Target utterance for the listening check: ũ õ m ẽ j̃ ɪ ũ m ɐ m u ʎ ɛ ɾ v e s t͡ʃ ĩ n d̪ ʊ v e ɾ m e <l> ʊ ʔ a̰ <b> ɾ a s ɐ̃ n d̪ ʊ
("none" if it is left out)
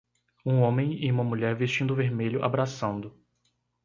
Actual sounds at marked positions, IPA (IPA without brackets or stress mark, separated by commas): ʎ, b